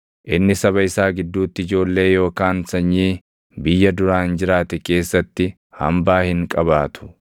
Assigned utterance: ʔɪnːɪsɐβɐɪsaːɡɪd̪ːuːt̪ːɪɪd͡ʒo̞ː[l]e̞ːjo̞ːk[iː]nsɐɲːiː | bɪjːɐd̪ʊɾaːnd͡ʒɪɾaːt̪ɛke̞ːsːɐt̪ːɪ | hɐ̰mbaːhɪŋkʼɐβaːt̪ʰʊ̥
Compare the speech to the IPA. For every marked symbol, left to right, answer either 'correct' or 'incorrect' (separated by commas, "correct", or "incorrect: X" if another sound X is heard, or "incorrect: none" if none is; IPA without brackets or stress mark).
incorrect: lː, incorrect: aː